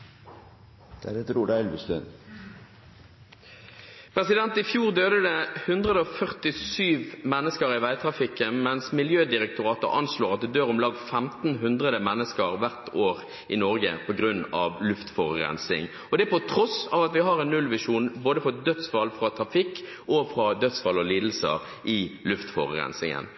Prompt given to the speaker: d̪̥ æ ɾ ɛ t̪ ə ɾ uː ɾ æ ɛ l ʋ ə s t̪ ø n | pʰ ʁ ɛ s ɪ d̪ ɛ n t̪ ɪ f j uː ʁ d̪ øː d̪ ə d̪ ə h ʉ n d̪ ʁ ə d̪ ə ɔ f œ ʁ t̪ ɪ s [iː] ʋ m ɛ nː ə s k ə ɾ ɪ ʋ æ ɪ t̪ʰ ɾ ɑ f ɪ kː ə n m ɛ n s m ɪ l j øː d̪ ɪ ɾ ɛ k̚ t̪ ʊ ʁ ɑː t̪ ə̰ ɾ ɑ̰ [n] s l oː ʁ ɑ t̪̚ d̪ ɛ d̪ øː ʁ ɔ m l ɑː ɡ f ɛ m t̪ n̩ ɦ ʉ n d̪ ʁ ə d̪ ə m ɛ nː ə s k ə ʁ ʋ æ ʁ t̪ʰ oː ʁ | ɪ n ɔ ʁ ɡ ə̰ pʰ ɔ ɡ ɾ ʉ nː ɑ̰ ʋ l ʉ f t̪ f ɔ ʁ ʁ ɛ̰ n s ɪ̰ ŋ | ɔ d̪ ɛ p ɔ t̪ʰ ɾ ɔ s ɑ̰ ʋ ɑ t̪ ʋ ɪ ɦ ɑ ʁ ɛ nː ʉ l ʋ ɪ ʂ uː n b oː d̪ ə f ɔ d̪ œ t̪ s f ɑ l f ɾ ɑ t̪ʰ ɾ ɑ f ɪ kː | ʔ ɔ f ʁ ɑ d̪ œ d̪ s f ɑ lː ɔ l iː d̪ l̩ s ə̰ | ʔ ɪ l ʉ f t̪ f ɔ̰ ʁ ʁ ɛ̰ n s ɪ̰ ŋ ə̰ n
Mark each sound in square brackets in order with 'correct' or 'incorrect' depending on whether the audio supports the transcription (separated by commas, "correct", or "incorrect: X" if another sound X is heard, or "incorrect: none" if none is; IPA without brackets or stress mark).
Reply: incorrect: yː, correct